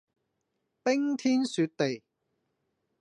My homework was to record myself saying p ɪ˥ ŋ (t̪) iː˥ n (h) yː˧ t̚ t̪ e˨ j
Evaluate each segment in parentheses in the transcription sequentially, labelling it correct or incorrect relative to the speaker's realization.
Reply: incorrect, incorrect

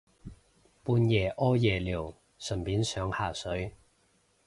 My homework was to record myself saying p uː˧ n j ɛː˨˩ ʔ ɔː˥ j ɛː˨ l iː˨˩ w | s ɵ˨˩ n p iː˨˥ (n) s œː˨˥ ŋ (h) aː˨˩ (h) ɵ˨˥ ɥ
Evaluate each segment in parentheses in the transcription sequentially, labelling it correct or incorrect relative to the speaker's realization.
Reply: correct, correct, incorrect

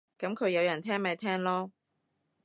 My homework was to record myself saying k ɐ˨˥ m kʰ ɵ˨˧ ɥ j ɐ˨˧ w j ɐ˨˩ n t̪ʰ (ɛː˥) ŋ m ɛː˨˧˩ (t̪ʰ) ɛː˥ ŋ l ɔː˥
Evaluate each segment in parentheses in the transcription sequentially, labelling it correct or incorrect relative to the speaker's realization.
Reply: correct, correct

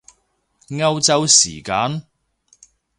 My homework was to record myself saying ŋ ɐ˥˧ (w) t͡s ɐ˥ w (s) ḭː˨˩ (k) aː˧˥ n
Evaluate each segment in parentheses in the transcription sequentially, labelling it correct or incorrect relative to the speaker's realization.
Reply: correct, correct, correct

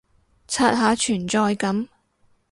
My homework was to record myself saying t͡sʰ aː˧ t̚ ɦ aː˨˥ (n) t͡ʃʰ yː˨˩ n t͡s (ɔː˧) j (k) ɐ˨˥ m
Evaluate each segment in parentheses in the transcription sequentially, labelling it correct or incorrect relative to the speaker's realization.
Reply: incorrect, correct, correct

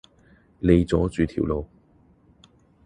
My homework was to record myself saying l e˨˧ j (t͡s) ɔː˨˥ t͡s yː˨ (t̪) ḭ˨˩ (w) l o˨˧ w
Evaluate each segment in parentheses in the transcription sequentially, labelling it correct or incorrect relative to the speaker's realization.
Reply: correct, incorrect, correct

